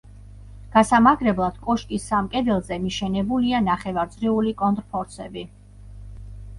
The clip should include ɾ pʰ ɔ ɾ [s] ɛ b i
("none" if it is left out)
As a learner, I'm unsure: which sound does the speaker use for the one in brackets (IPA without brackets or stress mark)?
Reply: s